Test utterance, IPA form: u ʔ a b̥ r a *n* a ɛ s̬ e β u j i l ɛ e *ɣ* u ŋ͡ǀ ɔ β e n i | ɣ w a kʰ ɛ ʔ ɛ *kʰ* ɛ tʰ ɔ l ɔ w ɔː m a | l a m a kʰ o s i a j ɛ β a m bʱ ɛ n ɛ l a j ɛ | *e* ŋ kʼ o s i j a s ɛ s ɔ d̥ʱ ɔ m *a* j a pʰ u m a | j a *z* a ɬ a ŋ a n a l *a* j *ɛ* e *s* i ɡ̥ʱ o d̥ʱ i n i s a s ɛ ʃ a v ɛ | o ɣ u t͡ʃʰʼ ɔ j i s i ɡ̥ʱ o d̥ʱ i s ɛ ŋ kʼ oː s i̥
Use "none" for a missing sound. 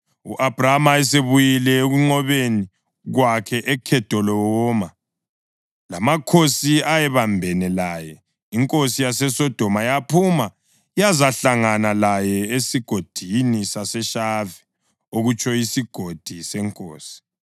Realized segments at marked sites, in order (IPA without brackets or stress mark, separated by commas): m, ɣ, kʰ, i, a, z, a, ɛ, s